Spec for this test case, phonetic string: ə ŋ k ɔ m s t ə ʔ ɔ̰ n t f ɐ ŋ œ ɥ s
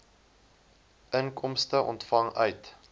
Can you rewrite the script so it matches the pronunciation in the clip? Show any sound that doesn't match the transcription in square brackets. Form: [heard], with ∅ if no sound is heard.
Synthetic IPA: ə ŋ k ɔ m s t ə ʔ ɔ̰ n t f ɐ ŋ œ ɥ [t]